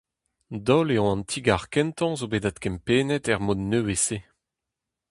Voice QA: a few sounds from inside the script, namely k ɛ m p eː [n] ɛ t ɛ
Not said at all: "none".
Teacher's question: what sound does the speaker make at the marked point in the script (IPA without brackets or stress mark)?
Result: n